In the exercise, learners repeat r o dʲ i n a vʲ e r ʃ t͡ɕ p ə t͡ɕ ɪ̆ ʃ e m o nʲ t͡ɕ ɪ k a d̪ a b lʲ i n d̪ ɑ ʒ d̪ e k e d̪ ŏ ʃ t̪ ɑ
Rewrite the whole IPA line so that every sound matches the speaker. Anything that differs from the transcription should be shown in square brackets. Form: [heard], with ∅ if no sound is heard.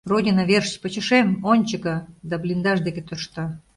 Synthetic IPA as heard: r o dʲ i n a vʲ e r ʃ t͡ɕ p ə t͡ɕ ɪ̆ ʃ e m o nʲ t͡ɕ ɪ k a d̪ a b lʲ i n d̪ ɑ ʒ d̪ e k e [t̪] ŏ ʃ t̪ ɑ